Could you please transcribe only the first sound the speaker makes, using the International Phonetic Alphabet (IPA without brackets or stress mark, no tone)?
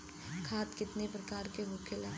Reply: kʰ